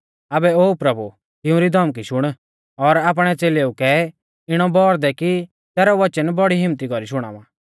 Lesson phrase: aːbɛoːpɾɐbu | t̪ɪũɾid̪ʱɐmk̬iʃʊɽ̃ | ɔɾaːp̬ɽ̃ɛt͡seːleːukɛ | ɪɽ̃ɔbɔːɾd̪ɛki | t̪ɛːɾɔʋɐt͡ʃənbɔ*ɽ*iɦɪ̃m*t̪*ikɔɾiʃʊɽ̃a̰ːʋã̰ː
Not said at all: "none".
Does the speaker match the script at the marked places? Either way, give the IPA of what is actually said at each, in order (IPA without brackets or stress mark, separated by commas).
ɽ, t̪